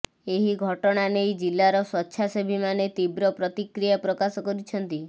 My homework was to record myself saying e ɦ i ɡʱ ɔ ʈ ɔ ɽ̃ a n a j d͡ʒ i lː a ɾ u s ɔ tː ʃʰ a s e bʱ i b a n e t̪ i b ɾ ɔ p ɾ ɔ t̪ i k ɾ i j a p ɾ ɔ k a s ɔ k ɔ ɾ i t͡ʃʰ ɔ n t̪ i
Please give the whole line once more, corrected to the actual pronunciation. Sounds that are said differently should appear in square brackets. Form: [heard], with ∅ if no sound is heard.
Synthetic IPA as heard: e ɦ i ɡʱ ɔ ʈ ɔ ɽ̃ a n [e] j d͡ʒ i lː a ɾ [ɔ] s ɔ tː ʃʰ a s e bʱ i [m] a n e t̪ i b ɾ ɔ p ɾ ɔ t̪ i k ɾ i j a p ɾ ɔ k a s ɔ k ɔ ɾ i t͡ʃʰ ɔ n t̪ i